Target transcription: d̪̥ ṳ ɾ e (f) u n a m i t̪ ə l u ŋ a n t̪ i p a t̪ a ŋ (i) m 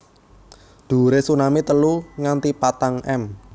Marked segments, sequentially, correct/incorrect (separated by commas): incorrect, incorrect